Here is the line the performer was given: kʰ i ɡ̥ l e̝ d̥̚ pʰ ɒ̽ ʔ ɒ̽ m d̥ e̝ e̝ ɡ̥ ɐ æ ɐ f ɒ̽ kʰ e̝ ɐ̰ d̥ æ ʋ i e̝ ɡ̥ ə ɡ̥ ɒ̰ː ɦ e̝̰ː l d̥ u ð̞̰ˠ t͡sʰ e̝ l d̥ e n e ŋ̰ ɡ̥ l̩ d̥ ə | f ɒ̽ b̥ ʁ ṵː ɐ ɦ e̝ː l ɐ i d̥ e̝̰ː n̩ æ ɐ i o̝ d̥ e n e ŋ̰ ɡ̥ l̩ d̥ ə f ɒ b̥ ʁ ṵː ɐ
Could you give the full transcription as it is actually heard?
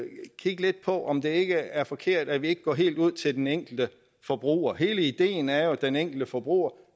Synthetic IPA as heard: kʰ i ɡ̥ l e̝ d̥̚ pʰ ɒ̽ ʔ ɒ̽ m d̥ e̝ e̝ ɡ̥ ə æ ɐ f ɒ̽ kʰ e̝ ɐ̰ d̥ æ ʋ i e̝ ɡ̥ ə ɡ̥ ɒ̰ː ɦ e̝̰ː l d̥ u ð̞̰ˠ t͡sʰ e̝ l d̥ e n e ŋ̰ ɡ̥ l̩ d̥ ə | f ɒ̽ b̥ ʁ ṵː ɐ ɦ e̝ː l ə i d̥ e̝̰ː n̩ æ ɐ j o̝ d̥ e n e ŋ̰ ɡ̥ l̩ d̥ ə f ɒ b̥ ʁ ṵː ɐ